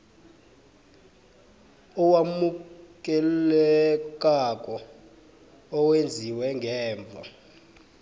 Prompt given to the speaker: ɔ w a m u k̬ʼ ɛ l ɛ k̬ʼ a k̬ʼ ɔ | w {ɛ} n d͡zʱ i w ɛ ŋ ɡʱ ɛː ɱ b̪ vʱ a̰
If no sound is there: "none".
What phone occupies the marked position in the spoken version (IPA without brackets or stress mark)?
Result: e